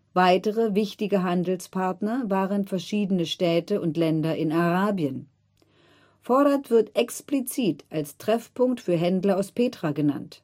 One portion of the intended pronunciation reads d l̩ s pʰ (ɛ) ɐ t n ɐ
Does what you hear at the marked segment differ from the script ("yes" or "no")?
yes